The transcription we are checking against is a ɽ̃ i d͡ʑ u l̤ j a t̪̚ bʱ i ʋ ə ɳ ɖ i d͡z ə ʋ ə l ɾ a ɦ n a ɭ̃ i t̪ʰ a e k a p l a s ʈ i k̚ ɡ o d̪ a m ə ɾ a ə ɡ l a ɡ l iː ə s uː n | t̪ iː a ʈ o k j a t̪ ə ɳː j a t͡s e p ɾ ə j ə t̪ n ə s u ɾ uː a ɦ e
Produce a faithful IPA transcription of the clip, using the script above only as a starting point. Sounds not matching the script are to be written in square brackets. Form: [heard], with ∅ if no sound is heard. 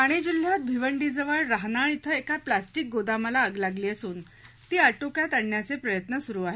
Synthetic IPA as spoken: a ɽ̃ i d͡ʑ u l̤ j a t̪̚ bʱ i ʋ ə ɳ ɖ i d͡z ə ʋ ə [ɭ] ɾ a ɦ n a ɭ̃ i t̪ʰ [ə] e k a p l a s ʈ i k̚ ɡ o d̪ a m ə [l] a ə ɡ l a ɡ l iː ə s uː n | t̪ iː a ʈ o k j a t̪ ə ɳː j a t͡s e p ɾ ə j ə t̪ n ə s u ɾ uː a ɦ e